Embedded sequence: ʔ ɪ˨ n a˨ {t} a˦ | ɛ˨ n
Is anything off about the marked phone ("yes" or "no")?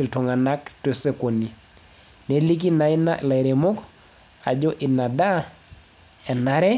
yes